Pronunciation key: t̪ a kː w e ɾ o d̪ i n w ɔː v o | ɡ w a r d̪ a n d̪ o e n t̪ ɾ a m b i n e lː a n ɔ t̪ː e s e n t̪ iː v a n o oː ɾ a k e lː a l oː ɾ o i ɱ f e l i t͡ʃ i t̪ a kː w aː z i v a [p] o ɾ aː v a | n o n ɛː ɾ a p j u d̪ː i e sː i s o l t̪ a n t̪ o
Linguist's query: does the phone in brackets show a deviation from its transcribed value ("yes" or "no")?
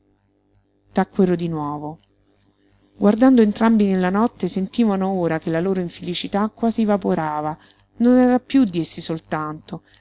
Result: no